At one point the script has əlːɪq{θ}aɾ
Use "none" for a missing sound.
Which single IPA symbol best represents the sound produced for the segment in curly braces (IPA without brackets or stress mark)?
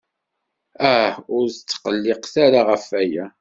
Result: θ